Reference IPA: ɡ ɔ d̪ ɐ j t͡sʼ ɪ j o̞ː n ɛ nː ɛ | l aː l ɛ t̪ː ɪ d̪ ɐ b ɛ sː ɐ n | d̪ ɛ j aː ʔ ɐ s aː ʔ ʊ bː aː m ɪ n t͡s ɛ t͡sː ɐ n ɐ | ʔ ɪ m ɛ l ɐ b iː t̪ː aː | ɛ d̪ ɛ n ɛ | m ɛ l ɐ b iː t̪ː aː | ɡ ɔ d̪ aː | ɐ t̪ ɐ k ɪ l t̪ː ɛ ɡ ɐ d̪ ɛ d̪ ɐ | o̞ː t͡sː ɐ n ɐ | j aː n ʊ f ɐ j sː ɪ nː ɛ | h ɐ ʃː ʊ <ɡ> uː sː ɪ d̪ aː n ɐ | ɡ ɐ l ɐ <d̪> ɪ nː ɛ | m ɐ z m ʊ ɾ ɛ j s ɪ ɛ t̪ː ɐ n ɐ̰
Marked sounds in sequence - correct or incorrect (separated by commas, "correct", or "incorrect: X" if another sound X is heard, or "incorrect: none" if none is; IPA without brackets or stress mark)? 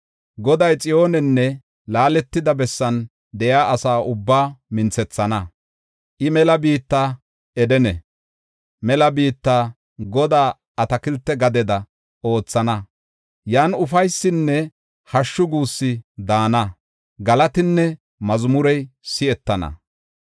correct, incorrect: t̪